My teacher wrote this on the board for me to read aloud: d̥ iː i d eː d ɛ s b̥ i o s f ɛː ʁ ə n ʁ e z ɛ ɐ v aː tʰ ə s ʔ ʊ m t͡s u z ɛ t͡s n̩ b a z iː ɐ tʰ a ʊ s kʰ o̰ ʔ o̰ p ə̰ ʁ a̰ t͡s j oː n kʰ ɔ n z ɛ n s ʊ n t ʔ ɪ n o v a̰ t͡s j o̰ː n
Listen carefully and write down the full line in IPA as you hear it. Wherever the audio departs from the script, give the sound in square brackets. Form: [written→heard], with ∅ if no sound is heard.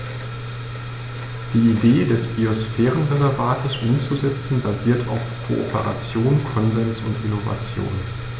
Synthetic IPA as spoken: d̥ iː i d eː d ɛ s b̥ i o s f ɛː ʁ ə n ʁ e z ɛ ɐ v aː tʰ ə s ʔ ʊ m t͡s u z ɛ t͡s n̩ b a z iː ɐ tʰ a ʊ [s→f] kʰ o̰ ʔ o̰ p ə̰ ʁ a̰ t͡s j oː n kʰ ɔ n z ɛ n s ʊ n t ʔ ɪ n o v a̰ t͡s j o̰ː n